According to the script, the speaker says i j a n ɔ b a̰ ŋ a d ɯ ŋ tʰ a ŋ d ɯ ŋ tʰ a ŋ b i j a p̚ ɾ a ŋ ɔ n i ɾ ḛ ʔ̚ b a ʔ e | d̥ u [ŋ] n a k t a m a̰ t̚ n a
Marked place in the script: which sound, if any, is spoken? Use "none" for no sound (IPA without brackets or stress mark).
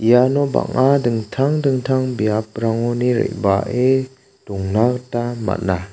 ŋ